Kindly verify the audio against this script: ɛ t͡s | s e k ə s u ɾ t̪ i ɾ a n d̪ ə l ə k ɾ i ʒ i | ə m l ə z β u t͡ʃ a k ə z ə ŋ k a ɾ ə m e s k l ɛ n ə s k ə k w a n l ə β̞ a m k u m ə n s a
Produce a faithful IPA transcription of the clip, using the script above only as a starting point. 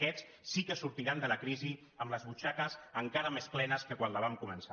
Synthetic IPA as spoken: ɛ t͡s | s i k ə s u ɾ t̪ i ɾ a n d̪ ə l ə k ɾ i z i | ə m l ə z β u t͡ʃ a k ə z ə ŋ k a ɾ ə m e s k l ɛ n ə s k ə k w a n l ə β̞ a m k u m ə n s a